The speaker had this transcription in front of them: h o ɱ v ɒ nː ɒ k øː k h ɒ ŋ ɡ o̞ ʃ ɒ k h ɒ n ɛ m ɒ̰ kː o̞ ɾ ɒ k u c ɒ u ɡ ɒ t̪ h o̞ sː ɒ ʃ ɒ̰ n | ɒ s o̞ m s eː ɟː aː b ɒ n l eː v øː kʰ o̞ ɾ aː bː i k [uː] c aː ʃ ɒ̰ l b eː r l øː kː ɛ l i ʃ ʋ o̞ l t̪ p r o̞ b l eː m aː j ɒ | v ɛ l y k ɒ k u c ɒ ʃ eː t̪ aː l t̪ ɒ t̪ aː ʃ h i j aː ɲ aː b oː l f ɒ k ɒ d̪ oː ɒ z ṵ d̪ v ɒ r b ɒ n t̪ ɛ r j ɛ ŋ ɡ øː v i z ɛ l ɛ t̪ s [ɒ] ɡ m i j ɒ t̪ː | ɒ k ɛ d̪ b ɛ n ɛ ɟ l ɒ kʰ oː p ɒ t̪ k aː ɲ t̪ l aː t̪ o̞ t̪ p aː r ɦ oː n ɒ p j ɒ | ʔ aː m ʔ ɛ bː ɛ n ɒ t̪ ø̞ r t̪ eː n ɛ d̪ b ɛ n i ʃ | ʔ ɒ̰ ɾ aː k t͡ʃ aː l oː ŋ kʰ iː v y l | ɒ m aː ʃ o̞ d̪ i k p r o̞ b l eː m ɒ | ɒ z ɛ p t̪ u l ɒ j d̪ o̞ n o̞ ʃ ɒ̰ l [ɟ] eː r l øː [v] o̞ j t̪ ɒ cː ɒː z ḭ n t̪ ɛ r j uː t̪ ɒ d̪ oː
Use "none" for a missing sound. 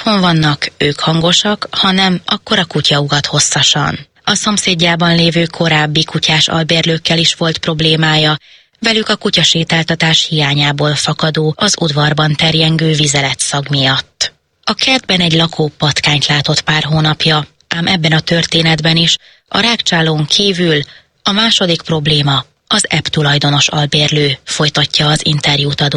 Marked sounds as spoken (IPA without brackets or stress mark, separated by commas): u, ɒ, b, f